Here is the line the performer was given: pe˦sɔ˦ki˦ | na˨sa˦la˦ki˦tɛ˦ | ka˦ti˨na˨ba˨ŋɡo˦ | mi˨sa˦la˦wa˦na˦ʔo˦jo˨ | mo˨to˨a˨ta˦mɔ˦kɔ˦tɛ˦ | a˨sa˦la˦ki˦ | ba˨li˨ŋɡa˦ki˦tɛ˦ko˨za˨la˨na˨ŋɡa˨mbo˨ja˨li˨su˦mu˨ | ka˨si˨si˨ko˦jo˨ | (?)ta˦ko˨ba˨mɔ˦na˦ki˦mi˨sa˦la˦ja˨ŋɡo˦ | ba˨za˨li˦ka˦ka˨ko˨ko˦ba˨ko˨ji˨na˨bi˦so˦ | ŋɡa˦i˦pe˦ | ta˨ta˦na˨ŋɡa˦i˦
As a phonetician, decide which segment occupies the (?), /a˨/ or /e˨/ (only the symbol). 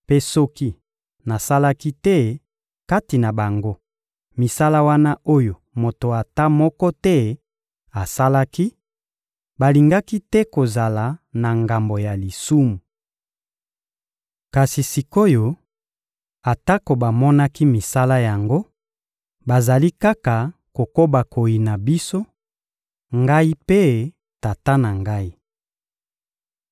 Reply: a˨